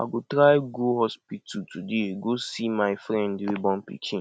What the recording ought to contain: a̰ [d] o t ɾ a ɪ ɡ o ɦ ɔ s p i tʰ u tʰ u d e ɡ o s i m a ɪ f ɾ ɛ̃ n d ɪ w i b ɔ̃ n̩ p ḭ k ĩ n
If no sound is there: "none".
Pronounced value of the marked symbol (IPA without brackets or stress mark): ɡ